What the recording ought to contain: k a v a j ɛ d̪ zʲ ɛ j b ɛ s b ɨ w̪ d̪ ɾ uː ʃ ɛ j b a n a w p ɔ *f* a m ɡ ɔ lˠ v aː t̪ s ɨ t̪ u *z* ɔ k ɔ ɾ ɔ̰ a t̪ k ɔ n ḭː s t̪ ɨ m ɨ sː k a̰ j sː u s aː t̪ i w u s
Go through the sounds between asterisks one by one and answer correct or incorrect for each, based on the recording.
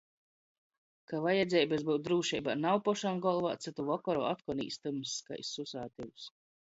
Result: incorrect, incorrect

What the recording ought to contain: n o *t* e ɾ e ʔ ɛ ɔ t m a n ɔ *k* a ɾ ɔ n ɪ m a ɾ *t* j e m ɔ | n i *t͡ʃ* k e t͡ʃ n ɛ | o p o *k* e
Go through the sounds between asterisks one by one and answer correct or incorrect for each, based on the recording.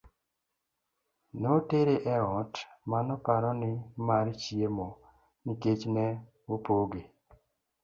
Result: correct, incorrect, incorrect, incorrect, incorrect

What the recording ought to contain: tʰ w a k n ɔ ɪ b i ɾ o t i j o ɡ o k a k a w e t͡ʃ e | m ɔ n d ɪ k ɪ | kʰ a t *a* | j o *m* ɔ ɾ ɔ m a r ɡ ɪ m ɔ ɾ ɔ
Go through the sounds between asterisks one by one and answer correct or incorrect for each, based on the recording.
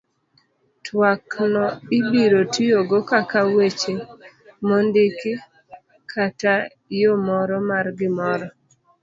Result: correct, correct

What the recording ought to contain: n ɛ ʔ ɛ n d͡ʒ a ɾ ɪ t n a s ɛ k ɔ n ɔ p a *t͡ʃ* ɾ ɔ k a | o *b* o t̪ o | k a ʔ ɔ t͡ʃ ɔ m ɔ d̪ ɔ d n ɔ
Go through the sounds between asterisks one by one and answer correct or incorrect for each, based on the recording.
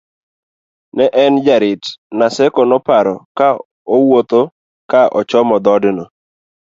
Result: incorrect, incorrect

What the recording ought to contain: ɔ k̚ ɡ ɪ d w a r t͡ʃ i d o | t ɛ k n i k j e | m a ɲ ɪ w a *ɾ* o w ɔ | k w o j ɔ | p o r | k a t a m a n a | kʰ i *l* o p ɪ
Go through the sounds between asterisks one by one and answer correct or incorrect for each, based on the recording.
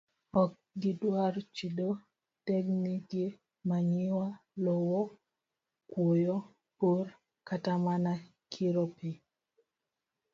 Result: incorrect, incorrect

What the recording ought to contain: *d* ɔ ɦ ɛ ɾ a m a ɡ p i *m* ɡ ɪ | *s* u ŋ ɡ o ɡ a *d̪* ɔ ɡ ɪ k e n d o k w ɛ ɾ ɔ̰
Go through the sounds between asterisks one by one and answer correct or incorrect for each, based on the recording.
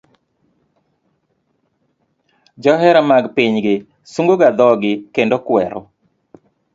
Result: incorrect, incorrect, correct, correct

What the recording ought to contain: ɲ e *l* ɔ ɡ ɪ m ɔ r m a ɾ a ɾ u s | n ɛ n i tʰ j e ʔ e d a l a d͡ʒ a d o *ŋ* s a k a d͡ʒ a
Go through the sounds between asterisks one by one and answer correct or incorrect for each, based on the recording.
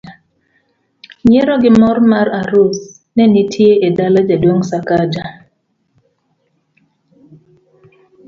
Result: incorrect, correct

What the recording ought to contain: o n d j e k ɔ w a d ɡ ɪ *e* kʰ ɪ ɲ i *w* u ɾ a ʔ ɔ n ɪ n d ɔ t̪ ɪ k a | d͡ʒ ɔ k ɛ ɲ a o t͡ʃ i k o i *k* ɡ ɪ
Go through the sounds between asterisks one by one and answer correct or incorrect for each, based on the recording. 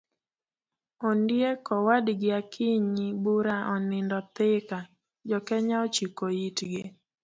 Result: incorrect, incorrect, incorrect

